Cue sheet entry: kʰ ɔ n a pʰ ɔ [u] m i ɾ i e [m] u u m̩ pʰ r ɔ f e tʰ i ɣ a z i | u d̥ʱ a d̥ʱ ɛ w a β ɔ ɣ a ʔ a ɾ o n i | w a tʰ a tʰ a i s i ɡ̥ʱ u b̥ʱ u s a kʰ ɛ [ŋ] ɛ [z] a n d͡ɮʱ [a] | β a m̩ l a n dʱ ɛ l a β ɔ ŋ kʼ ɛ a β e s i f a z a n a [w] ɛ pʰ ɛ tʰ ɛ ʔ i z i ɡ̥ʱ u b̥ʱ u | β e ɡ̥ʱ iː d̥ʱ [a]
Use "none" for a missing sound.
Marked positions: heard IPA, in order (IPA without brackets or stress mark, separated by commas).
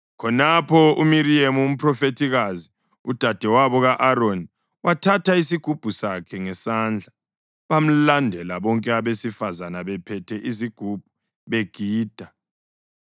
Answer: u, m, ŋ, s, a, β, a